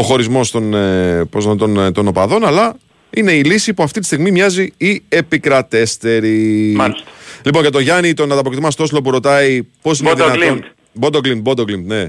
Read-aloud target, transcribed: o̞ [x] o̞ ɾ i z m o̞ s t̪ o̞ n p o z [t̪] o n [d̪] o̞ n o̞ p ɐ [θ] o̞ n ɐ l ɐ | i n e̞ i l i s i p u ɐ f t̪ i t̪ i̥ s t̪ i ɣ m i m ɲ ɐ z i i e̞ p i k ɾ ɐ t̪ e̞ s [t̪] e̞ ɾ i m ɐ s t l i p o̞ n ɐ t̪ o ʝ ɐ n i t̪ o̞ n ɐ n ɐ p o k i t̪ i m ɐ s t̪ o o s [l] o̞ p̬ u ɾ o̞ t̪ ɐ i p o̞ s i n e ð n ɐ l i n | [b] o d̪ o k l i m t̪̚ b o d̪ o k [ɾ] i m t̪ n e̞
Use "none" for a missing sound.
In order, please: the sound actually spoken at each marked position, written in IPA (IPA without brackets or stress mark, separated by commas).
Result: x, t̪, t̪, ð, t̪, l, b, l